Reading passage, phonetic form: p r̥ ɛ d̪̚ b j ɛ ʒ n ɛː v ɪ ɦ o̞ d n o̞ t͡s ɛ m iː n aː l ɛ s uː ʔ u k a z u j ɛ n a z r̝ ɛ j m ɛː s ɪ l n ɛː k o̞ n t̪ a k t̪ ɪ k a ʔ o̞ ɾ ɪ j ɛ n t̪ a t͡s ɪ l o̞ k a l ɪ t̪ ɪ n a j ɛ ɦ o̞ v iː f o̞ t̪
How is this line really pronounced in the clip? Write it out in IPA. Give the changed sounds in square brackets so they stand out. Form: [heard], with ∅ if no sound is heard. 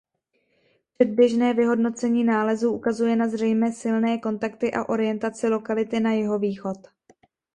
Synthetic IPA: p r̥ ɛ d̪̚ b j ɛ ʒ n ɛː v ɪ ɦ o̞ d n o̞ t͡s ɛ [ɲ] iː n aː l ɛ [z] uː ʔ u k a z u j ɛ n a z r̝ ɛ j m ɛː s ɪ l n ɛː k o̞ n t̪ a k t̪ ɪ [ʔ] a ʔ o̞ ɾ ɪ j ɛ n t̪ a t͡s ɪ l o̞ k a l ɪ t̪ ɪ n a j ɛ ɦ o̞ v iː [x] o̞ t̪